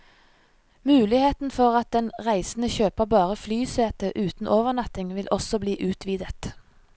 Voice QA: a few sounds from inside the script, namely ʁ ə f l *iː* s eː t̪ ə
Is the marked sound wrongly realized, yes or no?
yes